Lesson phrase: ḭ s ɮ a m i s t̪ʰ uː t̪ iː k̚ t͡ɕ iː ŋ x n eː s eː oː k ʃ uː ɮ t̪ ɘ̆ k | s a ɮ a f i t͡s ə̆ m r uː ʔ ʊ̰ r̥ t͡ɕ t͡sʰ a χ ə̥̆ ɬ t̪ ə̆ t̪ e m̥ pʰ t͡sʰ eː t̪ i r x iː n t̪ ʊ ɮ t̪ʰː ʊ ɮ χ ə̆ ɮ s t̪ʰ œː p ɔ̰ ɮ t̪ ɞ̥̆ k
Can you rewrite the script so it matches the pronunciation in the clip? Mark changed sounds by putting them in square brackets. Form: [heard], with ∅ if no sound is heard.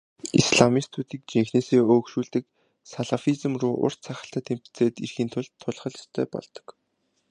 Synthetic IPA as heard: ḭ s ɮ a m i s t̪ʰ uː t̪ iː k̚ t͡ɕ [i] ŋ x n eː s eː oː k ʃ uː ɮ t̪ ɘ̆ k | s a ɮ a f i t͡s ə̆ m r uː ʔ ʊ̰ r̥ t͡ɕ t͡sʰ a χ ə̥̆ ɬ t̪ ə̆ t̪ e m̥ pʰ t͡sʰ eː t̪ i r x iː n [t̪ʰ] ʊ ɮ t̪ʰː ʊ ɮ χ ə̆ ɮ s t̪ʰ œː p ɔ̰ ɮ t̪ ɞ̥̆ k